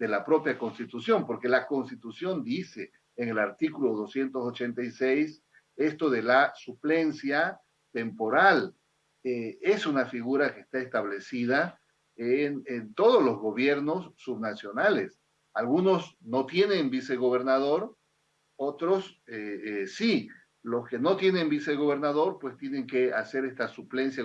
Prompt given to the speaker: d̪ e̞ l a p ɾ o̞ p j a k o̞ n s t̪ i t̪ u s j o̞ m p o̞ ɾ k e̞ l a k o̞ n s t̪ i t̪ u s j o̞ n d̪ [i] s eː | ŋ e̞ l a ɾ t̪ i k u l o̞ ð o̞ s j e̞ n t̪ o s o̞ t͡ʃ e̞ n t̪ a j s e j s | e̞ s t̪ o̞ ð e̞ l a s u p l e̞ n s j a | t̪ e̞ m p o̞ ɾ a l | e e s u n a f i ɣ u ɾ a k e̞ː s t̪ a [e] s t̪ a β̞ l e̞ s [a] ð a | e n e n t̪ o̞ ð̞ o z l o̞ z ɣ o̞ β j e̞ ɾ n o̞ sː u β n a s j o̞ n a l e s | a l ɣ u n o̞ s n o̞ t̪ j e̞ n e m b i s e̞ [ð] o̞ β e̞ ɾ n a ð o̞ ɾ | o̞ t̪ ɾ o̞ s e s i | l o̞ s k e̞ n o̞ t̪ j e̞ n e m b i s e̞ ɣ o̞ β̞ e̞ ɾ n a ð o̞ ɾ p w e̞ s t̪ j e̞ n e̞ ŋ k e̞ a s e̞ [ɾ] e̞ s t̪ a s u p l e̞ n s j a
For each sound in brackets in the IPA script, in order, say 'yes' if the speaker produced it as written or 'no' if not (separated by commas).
yes, yes, no, no, yes